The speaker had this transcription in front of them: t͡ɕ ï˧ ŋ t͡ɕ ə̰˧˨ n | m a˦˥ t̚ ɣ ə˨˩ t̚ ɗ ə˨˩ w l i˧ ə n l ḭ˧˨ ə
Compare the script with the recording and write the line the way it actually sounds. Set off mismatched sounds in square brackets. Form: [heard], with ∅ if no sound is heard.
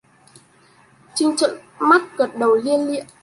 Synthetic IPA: t͡ɕ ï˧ ŋ t͡ɕ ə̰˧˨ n | m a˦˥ t̚ ɣ ə˨˩ t̚ ɗ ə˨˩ w l i˧ ə n l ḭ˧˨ ə